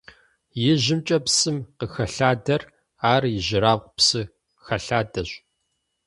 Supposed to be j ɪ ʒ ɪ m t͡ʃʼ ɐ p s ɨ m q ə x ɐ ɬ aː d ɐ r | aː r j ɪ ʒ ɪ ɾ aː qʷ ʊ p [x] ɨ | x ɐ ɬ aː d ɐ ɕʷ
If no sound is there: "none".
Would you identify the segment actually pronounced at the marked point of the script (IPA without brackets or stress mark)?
s